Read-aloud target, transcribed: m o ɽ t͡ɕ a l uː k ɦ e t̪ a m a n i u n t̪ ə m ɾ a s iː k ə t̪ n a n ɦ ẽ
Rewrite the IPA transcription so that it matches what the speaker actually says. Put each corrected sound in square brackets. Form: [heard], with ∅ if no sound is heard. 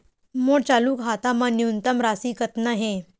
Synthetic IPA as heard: m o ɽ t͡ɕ a l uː k ɦ [a] t̪ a m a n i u n t̪ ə m ɾ a s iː k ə t̪ n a [∅] ɦ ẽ